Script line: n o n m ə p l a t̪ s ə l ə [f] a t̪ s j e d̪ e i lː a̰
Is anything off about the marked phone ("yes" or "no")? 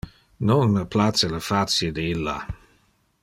no